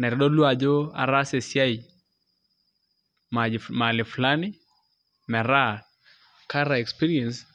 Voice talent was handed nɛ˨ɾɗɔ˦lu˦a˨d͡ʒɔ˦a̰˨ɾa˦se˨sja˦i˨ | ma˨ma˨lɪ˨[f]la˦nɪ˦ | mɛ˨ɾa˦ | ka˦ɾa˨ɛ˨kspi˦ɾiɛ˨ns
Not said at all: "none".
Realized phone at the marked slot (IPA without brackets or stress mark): f